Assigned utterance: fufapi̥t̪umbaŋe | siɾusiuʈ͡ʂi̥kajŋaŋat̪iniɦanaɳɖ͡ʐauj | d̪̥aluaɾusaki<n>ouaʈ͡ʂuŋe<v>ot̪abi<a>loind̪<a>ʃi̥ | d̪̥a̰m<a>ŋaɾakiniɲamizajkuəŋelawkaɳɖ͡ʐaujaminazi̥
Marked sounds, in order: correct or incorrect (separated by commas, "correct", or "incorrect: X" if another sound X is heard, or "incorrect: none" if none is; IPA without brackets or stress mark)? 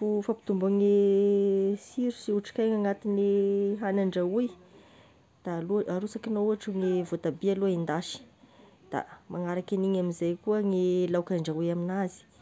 correct, correct, correct, correct, correct